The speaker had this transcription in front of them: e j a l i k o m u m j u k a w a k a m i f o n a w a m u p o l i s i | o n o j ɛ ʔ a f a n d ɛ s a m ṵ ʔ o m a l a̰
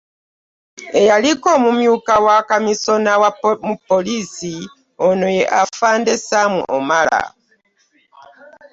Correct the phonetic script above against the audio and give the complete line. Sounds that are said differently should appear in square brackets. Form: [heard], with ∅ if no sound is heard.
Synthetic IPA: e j a l i k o m u m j u k a w a k a m i [s] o n a w a m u p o l i s i | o n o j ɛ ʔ a f a n d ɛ s a m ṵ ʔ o m a l a̰